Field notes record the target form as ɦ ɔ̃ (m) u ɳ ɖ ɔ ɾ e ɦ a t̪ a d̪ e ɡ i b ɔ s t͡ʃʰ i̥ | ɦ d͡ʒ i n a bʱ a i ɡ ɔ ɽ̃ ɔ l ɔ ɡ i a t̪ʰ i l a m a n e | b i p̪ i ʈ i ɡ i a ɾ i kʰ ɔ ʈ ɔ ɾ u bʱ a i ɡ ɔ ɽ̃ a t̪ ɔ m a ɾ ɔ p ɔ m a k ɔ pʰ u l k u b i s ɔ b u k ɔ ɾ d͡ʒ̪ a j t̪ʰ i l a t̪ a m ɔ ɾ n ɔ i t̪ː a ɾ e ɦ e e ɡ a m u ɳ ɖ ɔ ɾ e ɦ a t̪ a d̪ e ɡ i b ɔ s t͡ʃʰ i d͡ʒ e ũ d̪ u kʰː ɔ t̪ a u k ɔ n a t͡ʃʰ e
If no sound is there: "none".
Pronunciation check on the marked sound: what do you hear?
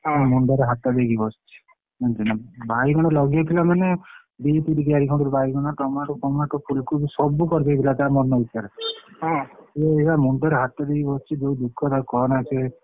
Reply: m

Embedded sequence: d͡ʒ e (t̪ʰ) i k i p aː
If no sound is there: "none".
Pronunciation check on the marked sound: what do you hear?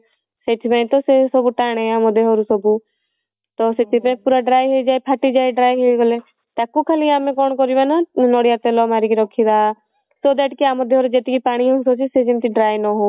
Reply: t̪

